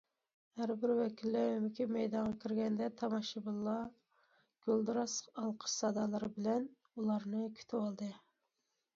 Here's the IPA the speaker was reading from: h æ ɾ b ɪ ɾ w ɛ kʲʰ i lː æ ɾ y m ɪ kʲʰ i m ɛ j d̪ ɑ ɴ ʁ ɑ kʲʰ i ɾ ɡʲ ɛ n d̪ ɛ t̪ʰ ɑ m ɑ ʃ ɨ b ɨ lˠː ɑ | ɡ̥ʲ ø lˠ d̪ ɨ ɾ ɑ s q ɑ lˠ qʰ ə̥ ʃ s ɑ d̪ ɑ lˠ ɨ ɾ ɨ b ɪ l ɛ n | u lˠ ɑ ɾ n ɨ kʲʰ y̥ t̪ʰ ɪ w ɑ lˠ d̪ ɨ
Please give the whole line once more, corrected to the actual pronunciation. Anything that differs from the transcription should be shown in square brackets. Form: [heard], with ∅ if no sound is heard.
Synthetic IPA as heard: h æ ɾ b ɪ ɾ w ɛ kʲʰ i lː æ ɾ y m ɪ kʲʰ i m ɛ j d̪ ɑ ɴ ʁ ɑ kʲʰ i ɾ ɡʲ ɛ n d̪ ɛ t̪ʰ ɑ m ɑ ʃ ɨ b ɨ lˠː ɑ | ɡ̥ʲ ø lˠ d̪ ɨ ɾ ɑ s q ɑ lˠ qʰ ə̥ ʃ s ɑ d̪ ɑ lˠ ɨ ɾ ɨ b ɪ l ɛ n | u lˠ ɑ ɾ n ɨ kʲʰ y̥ t̪ʰ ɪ w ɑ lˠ d̪ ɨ